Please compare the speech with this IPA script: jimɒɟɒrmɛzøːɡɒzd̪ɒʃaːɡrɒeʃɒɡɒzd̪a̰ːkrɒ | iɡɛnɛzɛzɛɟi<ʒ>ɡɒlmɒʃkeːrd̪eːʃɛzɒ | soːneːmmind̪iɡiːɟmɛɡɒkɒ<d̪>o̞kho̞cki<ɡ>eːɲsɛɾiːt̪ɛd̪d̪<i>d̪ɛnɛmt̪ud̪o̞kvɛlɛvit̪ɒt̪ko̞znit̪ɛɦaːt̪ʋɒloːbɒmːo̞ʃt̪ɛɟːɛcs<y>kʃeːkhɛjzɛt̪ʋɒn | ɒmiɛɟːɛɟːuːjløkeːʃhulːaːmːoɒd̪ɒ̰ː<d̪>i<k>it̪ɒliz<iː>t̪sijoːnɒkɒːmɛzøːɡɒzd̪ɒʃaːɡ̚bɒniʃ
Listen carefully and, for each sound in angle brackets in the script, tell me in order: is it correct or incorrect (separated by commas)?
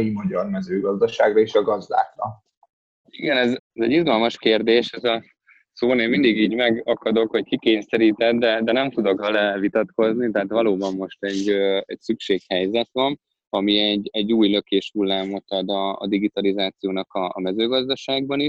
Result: incorrect, correct, incorrect, incorrect, correct, correct, incorrect, incorrect